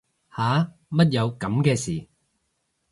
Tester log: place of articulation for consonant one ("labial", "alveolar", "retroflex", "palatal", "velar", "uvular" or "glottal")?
glottal